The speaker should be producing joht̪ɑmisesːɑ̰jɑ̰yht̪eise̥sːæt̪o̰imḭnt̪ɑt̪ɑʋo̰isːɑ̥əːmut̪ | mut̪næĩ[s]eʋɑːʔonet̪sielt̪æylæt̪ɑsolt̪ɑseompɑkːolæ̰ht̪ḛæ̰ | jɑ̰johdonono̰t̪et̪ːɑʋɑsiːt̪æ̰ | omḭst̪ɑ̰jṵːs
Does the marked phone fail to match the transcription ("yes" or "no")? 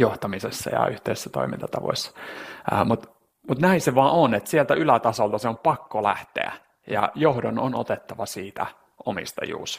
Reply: no